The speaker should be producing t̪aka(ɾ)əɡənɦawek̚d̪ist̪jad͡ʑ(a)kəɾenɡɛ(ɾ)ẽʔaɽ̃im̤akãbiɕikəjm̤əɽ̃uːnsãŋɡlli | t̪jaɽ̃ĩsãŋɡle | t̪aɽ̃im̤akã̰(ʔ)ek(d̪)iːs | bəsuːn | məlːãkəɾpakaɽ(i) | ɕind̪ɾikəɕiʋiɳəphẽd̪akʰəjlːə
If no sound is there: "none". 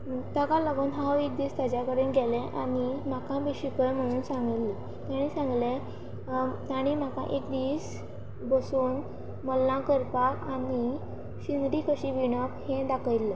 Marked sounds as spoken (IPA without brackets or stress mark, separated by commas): l, a, l, ʔ, d̪, i